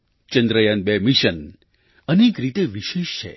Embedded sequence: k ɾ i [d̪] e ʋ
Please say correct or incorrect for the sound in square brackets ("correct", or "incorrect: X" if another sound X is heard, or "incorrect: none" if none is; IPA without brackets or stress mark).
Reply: incorrect: t̪